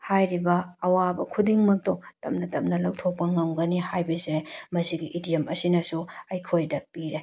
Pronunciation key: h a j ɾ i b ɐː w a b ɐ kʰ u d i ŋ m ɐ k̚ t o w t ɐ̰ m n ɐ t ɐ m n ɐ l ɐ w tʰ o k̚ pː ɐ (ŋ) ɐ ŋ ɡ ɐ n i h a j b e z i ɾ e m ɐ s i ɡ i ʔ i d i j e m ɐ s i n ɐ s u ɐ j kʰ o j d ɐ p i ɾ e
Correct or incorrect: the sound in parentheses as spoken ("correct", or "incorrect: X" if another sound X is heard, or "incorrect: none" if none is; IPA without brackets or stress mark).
correct